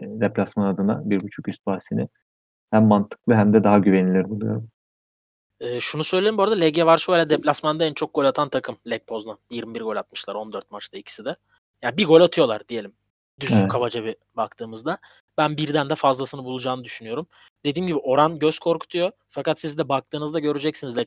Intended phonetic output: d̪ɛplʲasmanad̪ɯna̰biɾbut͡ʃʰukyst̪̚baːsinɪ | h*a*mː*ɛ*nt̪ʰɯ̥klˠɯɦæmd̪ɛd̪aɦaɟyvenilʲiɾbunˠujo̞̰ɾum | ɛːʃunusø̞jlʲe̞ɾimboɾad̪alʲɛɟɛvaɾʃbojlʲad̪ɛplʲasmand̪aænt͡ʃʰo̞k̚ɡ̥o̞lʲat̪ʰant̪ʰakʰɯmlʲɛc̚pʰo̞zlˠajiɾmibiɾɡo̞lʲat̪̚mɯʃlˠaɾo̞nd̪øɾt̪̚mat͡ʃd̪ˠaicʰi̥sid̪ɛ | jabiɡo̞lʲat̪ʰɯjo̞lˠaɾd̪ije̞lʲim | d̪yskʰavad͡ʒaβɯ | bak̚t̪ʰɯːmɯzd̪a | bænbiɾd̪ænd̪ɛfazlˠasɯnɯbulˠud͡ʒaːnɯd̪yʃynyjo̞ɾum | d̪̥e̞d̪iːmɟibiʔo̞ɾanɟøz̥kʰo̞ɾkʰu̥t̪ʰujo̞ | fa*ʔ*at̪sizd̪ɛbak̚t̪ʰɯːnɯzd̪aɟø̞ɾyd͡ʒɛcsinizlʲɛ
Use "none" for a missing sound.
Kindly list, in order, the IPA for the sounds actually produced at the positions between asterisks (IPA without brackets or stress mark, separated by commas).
æ, a, k